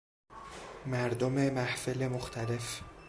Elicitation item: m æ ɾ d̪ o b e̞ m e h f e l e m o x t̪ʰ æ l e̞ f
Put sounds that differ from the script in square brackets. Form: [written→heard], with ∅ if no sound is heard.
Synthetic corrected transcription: m æ ɾ d̪ o [b→m] e̞ m [e→æ] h f e l e m o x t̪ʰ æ l e̞ f